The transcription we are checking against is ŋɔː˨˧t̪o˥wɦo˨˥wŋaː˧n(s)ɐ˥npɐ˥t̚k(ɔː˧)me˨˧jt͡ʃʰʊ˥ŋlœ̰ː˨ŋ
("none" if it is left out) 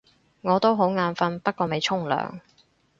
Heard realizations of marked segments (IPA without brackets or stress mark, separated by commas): f, ɔː˧